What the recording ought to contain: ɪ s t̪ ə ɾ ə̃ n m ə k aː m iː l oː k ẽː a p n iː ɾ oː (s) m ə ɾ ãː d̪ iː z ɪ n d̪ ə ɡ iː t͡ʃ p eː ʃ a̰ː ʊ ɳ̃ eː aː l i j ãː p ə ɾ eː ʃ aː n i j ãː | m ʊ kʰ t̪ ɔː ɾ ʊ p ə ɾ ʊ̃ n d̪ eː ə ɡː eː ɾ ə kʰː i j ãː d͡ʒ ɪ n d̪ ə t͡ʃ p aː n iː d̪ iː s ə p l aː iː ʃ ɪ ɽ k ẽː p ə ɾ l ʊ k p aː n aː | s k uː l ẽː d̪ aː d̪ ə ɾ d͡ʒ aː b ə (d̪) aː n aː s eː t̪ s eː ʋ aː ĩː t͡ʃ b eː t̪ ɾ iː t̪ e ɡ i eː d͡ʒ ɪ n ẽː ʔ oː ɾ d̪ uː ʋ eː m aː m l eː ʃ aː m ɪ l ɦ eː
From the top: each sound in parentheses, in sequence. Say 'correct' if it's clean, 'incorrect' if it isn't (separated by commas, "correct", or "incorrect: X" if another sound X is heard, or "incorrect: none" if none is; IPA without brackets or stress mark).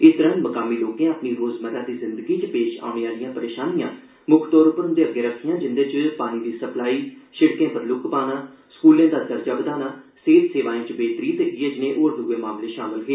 incorrect: z, correct